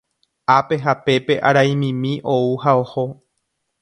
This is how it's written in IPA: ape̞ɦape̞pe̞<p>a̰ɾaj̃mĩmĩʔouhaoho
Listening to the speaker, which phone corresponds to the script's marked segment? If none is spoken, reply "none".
ʔ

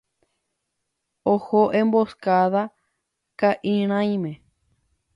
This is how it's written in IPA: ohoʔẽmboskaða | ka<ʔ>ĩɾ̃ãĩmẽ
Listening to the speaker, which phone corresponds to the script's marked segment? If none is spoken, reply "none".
ʔ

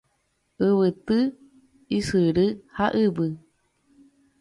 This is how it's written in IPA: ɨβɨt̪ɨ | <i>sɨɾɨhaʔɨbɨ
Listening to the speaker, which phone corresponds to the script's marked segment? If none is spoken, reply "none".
i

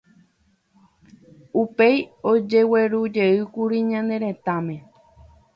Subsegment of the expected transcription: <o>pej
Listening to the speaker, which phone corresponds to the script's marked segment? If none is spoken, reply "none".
u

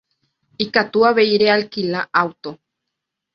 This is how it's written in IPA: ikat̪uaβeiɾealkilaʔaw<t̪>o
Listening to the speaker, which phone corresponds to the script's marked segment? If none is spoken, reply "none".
t̪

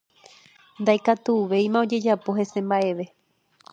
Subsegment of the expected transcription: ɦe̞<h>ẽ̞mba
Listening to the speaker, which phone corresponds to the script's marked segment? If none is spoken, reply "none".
s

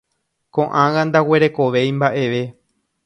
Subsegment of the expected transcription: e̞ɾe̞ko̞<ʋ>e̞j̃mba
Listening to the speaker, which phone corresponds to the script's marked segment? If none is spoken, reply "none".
ʋ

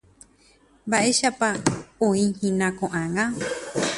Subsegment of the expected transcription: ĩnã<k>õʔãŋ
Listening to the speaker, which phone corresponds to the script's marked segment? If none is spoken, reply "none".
k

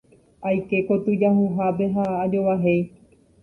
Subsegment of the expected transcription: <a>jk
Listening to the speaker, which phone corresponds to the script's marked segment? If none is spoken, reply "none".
a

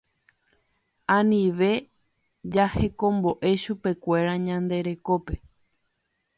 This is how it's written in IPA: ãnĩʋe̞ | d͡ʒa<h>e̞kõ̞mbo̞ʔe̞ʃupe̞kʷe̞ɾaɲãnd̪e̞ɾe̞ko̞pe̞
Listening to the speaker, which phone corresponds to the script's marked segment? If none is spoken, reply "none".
h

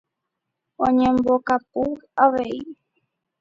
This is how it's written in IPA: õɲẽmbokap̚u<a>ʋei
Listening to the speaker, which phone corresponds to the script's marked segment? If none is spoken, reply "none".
a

